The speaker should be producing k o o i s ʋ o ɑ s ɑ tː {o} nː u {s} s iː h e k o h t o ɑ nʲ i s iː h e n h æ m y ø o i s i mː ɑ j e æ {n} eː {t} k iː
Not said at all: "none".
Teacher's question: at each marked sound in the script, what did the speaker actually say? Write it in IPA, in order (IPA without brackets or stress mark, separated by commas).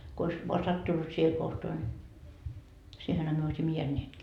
u, t, nː, t